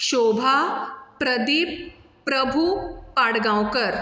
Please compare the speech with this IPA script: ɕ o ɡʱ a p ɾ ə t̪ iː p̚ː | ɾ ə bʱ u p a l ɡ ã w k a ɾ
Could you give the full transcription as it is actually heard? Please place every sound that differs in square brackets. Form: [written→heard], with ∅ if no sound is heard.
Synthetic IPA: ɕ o [ɡʱ→bʱ] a p ɾ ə [t̪→d̪] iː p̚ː | ɾ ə bʱ u p a [l→ɽ] ɡ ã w k [a→ə] ɾ